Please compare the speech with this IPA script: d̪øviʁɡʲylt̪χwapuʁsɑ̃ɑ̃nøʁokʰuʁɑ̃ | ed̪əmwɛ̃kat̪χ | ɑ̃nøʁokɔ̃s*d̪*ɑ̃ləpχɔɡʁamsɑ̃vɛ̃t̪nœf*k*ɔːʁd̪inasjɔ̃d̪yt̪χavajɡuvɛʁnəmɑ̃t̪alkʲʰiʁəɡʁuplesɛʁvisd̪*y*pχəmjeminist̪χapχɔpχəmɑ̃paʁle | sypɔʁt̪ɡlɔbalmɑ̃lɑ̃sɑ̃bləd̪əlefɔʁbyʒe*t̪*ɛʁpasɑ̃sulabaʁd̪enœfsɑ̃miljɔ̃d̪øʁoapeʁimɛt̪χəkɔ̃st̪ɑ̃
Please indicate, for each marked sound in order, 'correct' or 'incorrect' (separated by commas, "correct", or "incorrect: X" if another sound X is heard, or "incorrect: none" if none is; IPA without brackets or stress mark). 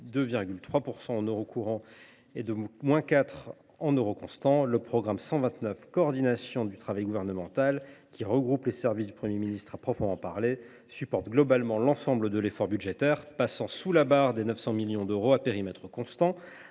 incorrect: t̪, correct, correct, correct